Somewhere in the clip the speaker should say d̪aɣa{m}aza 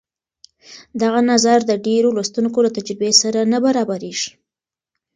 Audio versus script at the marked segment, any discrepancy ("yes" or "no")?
yes